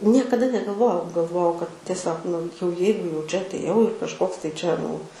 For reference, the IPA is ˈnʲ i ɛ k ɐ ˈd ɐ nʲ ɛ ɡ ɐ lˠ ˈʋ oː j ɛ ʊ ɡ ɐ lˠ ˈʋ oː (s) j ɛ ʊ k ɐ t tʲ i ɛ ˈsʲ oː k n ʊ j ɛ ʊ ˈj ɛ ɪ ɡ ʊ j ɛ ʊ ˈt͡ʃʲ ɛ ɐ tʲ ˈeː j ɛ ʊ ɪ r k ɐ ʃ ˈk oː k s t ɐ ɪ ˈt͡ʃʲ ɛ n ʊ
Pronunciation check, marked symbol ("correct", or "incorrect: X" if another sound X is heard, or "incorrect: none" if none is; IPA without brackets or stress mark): incorrect: none